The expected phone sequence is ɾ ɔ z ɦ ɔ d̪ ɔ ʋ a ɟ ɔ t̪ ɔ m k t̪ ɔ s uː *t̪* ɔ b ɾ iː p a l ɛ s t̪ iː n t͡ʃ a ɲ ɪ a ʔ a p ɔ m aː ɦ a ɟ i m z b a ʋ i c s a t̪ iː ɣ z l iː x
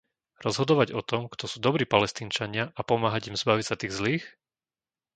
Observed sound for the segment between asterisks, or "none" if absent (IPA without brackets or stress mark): d̪